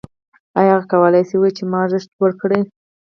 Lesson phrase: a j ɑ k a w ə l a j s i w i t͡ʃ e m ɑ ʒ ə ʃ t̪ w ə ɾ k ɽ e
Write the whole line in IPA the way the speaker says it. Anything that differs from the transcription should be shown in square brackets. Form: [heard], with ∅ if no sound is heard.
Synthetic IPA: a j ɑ k a w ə l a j s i w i t͡ʃ e m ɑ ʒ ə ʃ t̪ w ə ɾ k ɽ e